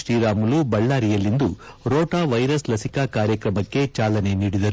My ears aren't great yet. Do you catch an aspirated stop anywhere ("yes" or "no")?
no